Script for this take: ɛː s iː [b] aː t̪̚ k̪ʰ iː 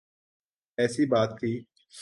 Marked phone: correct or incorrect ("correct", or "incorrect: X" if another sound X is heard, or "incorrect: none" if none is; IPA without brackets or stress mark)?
correct